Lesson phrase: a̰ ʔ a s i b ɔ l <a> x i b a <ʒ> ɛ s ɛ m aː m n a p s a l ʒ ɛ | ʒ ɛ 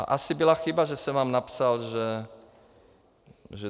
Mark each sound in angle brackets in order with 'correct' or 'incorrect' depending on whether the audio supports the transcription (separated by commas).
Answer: correct, correct